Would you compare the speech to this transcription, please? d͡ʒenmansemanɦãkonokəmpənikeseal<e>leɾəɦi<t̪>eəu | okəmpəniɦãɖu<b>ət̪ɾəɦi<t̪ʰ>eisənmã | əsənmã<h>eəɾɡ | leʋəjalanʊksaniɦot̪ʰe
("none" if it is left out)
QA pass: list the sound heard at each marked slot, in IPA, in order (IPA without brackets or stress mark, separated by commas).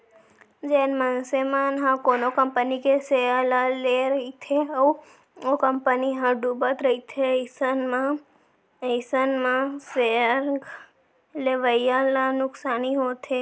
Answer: a, t̪ʰ, b, t̪ʰ, s